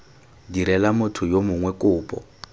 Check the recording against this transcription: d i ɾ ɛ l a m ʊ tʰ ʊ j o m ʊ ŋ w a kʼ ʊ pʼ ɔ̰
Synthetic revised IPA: d i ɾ ɛ l a m ʊ tʰ ʊ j o m ʊ ŋ w ɛ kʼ ʊː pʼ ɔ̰